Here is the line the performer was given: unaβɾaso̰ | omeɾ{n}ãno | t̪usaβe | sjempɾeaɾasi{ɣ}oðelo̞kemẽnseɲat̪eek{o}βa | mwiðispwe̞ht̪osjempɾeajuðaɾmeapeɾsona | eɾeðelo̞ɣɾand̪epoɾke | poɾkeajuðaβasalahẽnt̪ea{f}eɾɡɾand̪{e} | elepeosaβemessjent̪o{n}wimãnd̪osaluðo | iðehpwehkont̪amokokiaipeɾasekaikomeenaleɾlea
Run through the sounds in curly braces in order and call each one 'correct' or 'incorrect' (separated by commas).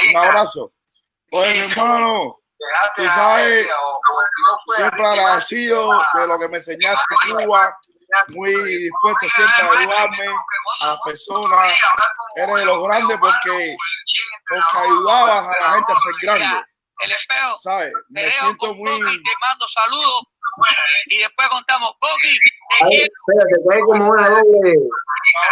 incorrect, incorrect, incorrect, incorrect, correct, incorrect